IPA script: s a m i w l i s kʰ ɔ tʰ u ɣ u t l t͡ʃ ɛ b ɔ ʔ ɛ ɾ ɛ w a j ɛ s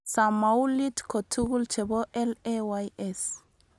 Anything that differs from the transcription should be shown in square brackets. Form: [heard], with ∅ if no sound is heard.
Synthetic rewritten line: s a m [a] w l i [t] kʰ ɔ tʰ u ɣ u [∅] l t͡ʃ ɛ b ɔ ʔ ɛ [l] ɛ w a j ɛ s